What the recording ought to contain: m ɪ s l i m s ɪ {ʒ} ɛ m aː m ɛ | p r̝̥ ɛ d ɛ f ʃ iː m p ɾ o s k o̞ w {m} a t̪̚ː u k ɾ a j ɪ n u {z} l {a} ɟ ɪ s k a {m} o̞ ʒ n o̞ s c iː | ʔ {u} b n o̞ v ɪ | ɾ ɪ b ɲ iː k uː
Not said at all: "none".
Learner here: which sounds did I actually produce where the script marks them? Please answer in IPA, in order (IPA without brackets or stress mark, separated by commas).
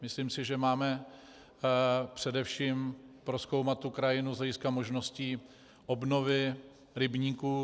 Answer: ʒ, m, z, ɛ, m, o